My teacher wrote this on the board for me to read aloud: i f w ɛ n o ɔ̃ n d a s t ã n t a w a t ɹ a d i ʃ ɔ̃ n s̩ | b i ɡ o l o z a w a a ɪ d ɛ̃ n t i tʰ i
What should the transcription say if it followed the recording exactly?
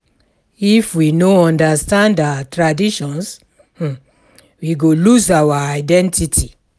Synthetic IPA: i f w i n o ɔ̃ n d a s t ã n d a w a t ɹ a d i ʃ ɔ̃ n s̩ | w i ɡ o l u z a w a a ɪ d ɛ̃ n t i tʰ i